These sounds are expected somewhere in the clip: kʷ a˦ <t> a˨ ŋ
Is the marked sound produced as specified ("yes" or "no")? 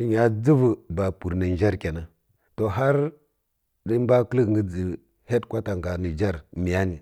yes